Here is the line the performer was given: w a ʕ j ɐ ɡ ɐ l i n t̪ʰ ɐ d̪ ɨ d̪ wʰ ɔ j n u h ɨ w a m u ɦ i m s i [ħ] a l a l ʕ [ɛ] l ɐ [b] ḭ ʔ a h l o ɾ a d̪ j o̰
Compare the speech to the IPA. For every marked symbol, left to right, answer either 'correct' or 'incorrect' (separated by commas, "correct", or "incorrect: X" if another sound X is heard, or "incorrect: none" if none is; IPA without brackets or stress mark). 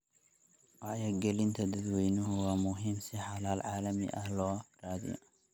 correct, incorrect: a, incorrect: m